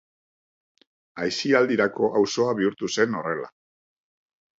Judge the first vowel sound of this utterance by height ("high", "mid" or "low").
low